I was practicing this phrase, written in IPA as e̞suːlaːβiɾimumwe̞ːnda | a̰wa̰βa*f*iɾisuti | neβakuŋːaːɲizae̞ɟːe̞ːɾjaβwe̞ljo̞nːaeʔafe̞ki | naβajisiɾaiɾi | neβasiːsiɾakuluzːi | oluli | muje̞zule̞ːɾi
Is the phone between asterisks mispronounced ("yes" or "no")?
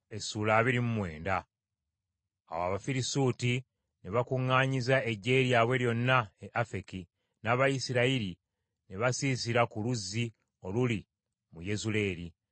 no